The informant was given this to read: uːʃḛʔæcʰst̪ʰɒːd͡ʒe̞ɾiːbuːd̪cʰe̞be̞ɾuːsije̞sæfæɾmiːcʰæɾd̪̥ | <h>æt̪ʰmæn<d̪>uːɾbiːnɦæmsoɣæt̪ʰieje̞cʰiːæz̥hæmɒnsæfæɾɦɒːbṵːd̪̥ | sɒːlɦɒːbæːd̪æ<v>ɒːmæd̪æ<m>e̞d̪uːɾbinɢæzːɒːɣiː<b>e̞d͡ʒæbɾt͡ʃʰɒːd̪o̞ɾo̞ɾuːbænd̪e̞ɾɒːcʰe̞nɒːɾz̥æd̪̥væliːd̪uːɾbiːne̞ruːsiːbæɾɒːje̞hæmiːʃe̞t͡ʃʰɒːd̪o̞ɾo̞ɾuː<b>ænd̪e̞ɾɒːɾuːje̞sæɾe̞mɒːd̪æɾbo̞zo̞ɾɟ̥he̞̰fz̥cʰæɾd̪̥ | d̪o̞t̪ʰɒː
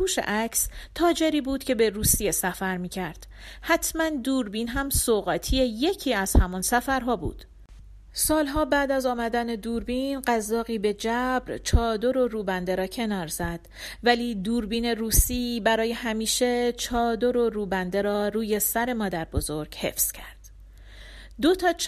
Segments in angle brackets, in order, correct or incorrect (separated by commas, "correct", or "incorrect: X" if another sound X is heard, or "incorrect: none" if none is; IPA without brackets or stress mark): correct, correct, incorrect: z, incorrect: n, correct, correct